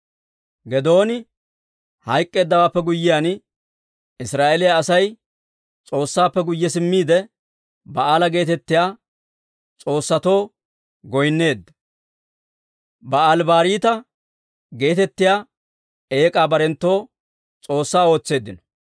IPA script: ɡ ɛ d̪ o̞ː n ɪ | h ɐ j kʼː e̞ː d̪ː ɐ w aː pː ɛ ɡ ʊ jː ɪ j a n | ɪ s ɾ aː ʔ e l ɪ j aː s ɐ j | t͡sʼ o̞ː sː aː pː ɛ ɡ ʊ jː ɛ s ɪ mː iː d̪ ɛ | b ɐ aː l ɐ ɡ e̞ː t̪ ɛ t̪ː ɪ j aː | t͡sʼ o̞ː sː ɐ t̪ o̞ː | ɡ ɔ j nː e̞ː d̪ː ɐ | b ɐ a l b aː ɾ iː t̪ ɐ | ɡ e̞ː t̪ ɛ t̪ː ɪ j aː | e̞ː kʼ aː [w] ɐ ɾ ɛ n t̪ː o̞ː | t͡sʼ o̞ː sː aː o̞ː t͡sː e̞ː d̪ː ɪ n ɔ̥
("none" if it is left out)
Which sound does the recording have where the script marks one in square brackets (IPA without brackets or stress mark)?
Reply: b